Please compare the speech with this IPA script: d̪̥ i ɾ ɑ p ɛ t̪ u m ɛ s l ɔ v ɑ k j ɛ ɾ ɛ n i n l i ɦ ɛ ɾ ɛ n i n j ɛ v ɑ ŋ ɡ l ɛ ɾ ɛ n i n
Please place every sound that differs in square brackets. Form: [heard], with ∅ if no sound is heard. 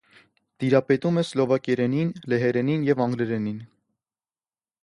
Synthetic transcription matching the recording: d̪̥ i ɾ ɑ p ɛ t̪ u m ɛ s l ɔ v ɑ k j ɛ ɾ ɛ n i n l [ɛ] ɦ ɛ ɾ ɛ n i n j ɛ v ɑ ŋ ɡ l ɛ ɾ ɛ n i n